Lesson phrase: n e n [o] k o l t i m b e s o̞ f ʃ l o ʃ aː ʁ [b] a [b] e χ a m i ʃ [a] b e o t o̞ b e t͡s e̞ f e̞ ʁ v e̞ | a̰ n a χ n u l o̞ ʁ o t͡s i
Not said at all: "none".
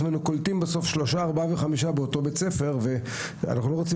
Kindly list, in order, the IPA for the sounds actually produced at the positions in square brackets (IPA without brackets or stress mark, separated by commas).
u, b, v, a